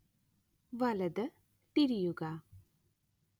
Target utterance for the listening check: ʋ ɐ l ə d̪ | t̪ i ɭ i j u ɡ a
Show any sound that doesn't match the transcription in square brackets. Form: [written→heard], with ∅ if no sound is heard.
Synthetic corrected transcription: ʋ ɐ l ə d̪ | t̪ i [ɭ→ɾ] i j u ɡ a